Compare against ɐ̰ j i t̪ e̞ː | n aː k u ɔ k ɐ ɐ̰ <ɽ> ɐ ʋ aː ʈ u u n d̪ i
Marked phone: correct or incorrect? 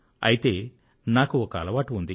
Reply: incorrect